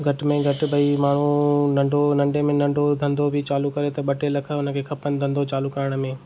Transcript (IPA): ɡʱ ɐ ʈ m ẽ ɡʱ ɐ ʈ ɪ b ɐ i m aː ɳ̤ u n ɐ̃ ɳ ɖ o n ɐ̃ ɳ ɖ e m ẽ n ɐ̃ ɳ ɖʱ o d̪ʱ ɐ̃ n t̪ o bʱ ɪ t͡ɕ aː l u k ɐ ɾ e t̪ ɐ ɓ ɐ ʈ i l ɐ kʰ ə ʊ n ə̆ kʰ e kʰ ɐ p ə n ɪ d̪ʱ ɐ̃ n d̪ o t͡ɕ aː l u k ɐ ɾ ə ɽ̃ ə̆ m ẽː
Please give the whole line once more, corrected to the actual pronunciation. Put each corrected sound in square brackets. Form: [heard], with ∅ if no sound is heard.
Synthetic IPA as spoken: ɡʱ ɐ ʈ m ẽ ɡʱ ɐ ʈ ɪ b ɐ i m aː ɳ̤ u n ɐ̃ ɳ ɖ o n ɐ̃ ɳ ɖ e m ẽ n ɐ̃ ɳ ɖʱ o d̪ʱ ɐ̃ n [d̪] o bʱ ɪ t͡ɕ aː l u k ɐ ɾ e t̪ ɐ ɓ ɐ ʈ [e] l ɐ kʰ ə ʊ n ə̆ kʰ e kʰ ɐ p ə n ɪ d̪ʱ ɐ̃ n d̪ o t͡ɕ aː l u k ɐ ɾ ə ɽ̃ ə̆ m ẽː